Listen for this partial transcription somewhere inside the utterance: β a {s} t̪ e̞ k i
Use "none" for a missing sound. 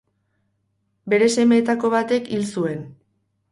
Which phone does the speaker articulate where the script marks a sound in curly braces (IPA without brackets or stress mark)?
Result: none